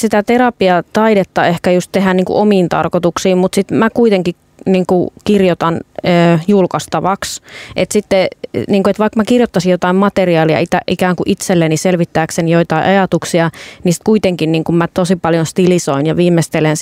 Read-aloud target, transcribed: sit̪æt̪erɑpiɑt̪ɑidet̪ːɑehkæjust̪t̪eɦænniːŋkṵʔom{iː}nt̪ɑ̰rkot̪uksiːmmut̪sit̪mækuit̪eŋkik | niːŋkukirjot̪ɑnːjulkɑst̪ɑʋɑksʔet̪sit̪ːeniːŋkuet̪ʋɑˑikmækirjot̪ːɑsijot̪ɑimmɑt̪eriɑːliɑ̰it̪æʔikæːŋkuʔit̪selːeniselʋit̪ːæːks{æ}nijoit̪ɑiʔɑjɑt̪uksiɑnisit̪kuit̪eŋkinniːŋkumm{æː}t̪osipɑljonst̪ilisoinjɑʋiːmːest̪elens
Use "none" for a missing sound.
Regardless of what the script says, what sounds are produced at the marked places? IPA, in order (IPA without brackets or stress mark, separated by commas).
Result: iː, e, æ